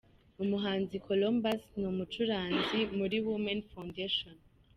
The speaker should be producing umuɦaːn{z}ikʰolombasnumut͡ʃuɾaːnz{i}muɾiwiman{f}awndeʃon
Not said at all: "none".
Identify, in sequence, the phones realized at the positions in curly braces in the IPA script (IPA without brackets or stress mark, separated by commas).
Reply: z, i, f